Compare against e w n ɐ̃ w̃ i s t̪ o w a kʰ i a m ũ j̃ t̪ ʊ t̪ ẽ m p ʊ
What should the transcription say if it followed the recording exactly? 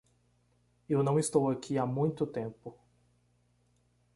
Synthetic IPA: e w n ɐ̃ w̃ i s t̪ o w a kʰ i a m ũ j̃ t̪ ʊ t̪ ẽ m p ʊ